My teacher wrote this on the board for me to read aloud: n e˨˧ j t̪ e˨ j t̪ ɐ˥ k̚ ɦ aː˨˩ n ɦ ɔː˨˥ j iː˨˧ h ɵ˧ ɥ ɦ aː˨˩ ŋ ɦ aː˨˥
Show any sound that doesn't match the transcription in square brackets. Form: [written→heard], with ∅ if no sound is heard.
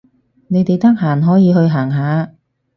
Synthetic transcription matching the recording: n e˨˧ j t̪ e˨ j t̪ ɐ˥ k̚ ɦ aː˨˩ n ɦ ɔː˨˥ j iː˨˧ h ɵ˧ ɥ ɦ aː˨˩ ŋ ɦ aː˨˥